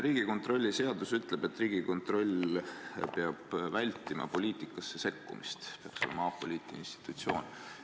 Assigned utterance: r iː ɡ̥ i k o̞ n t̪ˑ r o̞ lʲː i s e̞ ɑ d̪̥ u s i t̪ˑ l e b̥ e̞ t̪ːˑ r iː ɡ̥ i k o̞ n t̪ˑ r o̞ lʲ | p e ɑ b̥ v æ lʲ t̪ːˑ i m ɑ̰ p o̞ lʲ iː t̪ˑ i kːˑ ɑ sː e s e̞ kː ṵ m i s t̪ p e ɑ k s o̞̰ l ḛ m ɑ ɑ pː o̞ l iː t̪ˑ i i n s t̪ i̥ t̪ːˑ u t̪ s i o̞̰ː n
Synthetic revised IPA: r iː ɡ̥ i k o̞ n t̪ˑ r o̞ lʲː i s e̞ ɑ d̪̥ u s y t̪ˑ l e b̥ e̞ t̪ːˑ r iː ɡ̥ i k o̞ n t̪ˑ r o̞ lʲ | p e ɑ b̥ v æ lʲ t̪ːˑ i m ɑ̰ p o̞ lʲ iː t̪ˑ i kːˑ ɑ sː e s e̞ kː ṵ m i s t̪ p e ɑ k s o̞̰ l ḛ m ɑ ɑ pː o̞ l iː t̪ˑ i i n s t̪ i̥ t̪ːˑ u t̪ s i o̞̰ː n

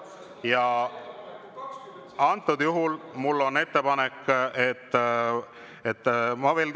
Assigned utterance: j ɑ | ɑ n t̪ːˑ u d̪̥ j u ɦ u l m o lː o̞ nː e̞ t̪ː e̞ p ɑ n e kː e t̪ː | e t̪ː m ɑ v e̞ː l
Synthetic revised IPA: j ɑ | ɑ n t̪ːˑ u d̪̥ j u ɦ u l m u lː o̞ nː e̞ t̪ː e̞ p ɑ n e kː e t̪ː | e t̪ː m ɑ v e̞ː l

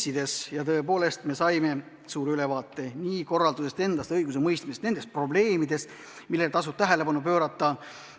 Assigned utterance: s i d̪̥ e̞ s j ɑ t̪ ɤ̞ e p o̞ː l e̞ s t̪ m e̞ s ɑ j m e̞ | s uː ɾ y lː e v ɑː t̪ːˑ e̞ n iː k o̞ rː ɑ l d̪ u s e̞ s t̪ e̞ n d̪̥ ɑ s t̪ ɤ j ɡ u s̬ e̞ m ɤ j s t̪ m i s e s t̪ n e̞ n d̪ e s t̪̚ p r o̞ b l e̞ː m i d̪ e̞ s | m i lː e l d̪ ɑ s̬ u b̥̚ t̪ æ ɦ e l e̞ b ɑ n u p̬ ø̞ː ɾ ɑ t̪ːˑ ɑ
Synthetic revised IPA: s i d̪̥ e̞ s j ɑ t̪ ɤ̞ e p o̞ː l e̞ s t̪ m e̞ s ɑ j m e̞ | s uː ɾ y l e v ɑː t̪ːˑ e̞ n iː k o̞ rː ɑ l d̪ u s e̞ s t̪ e̞ n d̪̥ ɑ s t̪ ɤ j ɡ u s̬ e̞ m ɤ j s t̪ m i s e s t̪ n e̞ n d̪ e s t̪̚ p r o̞ b l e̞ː m i d̪ e̞ s | m i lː e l t̪ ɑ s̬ u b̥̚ t̪ æ ɦ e l e̞ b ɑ n u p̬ ø̞ː ɾ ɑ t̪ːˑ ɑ

